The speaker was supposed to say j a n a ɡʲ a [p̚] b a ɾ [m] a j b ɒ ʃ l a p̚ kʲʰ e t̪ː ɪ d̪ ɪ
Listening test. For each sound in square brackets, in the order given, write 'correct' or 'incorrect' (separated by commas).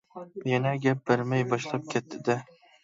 correct, correct